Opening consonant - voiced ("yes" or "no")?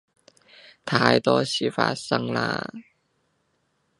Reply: no